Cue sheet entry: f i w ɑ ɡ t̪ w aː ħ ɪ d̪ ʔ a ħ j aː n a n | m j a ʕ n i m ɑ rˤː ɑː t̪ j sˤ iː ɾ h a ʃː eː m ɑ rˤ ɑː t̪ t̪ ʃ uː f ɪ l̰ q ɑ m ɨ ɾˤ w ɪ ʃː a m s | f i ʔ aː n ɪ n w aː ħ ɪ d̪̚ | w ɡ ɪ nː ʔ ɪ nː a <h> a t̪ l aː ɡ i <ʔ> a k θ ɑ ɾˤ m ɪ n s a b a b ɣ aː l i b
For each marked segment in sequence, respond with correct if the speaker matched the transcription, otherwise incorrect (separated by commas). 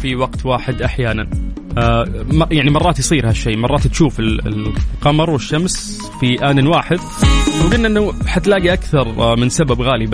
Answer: incorrect, correct